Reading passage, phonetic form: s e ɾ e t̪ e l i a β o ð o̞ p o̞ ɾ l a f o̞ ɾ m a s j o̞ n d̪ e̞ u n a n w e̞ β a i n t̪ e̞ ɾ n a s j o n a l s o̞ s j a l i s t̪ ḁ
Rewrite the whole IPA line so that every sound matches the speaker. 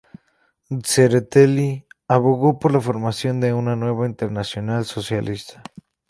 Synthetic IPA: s e ɾ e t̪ e l i a β o ɣ o̞ p o̞ ɾ l a f o̞ ɾ m a s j o̞ n d̪ e̞ u n a n w e̞ β a i n t̪ e̞ ɾ n a s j o n a l s o̞ s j a l i s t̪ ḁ